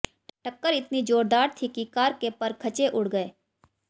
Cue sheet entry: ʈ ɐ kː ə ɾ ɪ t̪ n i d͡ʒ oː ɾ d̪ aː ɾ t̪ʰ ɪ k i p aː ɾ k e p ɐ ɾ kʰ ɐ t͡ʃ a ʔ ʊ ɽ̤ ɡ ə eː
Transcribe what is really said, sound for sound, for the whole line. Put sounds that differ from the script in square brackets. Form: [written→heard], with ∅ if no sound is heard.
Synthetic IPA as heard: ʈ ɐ kː ə ɾ ɪ t̪ n i d͡ʒ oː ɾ d̪ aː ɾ t̪ʰ [ɪ→i] k i [p→k] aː ɾ k e p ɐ ɾ kʰ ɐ t͡ʃ [a→e] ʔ ʊ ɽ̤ ɡ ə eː

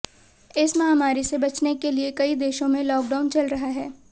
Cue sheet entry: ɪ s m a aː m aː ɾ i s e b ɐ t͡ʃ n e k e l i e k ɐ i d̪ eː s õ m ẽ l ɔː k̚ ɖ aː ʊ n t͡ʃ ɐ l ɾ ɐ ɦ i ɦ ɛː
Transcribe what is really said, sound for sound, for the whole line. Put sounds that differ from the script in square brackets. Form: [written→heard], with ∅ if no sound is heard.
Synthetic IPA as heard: ɪ s m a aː m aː ɾ i s e b ɐ t͡ʃ n e k e l i e k ɐ i d̪ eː [s→ʃ] õ m ẽ l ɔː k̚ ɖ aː ʊ n t͡ʃ ɐ l ɾ ɐ ɦ [i→a] ɦ ɛː

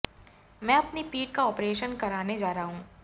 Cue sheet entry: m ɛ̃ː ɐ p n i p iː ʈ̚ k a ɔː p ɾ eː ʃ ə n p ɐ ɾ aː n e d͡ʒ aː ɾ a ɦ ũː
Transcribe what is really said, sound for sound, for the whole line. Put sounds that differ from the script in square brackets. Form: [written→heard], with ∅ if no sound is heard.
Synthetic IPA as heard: m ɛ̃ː ɐ p n i p iː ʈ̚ k a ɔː p ɾ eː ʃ ə n [p→k] ɐ ɾ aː n e d͡ʒ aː ɾ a ɦ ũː

